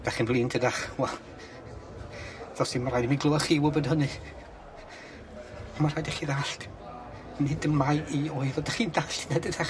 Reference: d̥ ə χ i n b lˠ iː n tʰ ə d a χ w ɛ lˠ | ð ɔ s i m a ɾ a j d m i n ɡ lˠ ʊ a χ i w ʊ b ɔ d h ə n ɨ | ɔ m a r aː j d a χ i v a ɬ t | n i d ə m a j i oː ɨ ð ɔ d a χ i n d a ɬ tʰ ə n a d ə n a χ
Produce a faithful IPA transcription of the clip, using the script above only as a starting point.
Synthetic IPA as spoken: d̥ a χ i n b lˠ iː n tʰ ə d a χ w ɛ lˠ | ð ɔ s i m a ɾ a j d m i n ɡ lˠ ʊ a χ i w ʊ b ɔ d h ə n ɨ | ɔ m a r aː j d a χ i ð a ɬ t | n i d ə m a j i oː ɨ ð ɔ d a χ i n d a ɬ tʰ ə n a d ə d a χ